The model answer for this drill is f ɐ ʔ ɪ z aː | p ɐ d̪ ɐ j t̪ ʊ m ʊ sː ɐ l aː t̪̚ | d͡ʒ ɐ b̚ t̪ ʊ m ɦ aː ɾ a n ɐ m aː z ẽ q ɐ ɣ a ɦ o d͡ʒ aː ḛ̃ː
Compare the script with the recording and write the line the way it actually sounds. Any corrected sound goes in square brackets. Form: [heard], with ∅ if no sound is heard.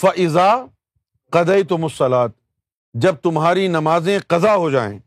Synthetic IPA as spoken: f ɐ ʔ ɪ z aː | [q] ɐ d̪ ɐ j t̪ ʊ m ʊ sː ɐ l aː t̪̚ | d͡ʒ ɐ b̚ t̪ ʊ m ɦ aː ɾ [i] n ɐ m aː z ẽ q ɐ [z] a ɦ o d͡ʒ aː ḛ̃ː